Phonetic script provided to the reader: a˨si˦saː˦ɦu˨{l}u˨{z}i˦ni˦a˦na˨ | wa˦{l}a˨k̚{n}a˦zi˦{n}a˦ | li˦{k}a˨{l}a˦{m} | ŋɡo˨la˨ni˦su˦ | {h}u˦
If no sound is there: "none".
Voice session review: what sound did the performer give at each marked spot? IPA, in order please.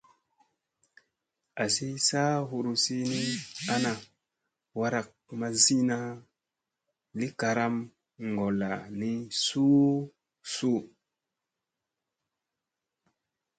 ɾ, s, ɾ, m, n, k, ɾ, m, s

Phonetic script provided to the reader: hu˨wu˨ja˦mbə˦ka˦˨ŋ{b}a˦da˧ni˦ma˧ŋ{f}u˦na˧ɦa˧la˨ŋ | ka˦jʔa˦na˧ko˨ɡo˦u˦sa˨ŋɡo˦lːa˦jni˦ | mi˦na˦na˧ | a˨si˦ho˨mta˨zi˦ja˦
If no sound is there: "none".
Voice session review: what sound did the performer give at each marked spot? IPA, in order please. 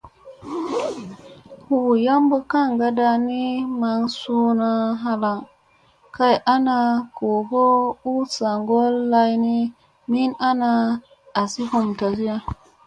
ɡ, s

